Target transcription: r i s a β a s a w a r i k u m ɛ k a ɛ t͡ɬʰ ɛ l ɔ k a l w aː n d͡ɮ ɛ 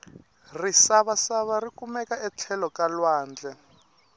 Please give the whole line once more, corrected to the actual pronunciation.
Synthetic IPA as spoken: r i s a β a s a β a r i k u m ɛ k a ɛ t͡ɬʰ ɛ l ɔ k a l w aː n d͡ɮ ɛ